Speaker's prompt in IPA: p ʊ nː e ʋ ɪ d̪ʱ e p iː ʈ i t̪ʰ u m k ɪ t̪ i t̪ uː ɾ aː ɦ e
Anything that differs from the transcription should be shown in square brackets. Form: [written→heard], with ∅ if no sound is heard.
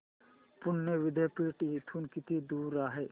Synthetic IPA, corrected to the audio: p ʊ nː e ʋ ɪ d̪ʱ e p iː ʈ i t̪ʰ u [m→n] k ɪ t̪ i [t̪→d̪] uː ɾ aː ɦ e